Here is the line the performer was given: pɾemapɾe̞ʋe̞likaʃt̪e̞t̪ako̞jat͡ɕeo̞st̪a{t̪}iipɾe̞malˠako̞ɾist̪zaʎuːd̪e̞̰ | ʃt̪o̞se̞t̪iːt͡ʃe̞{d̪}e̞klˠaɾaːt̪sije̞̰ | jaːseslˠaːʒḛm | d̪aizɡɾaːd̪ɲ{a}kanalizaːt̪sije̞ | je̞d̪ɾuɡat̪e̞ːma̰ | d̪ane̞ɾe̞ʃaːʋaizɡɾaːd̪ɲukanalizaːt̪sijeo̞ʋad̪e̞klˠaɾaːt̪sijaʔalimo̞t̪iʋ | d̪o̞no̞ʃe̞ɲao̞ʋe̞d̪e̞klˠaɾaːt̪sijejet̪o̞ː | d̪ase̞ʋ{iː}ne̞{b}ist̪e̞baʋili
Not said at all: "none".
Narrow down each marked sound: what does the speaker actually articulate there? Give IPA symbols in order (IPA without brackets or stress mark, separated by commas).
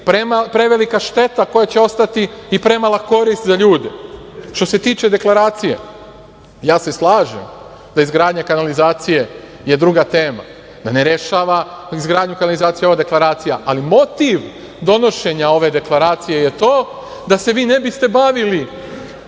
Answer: t̪, d̪, a, iː, b